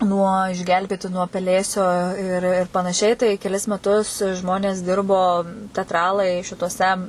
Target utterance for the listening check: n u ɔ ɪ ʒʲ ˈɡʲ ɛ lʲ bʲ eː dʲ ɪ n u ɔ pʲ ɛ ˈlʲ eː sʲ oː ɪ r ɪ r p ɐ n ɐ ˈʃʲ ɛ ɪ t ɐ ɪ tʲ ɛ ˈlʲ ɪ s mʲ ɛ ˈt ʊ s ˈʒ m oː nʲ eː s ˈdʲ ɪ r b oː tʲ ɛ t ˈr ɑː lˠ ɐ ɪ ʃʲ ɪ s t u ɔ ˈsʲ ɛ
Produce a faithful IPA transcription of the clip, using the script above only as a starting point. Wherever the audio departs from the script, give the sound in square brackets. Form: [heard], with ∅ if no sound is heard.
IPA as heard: n u ɔ ɪ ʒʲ ˈɡʲ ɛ lʲ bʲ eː [tʲ] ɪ n u ɔ pʲ ɛ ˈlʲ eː sʲ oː ɪ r ɪ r p ɐ n ɐ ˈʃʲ ɛ ɪ t ɐ ɪ [kʲ] ɛ ˈlʲ ɪ s mʲ ɛ ˈt ʊ s ˈʒ m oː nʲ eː s ˈdʲ ɪ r b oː tʲ ɛ t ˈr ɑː lˠ ɐ ɪ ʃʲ ɪ [∅] t u ɔ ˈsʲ ɛ